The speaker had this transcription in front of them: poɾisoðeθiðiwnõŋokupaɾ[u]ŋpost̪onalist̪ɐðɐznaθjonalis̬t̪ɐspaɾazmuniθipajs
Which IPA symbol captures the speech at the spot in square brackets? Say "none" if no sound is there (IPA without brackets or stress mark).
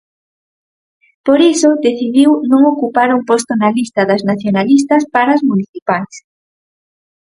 u